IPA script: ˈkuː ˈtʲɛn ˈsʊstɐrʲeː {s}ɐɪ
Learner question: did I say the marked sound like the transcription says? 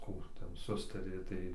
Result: no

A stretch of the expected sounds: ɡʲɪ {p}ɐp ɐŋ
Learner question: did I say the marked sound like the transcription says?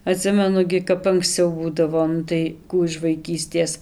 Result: no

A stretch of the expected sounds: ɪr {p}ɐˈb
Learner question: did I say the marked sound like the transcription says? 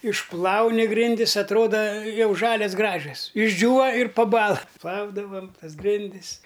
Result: yes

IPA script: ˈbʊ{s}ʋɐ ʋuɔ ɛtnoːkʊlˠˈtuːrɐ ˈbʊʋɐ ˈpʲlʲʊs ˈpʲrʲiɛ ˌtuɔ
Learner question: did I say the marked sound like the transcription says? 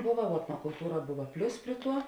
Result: no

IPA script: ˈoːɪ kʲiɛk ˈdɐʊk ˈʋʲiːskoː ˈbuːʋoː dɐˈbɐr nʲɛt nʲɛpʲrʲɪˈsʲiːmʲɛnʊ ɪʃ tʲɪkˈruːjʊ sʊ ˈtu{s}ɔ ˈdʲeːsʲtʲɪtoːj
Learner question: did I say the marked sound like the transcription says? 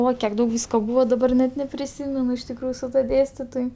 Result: no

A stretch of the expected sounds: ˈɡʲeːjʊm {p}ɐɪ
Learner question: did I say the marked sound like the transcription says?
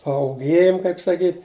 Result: no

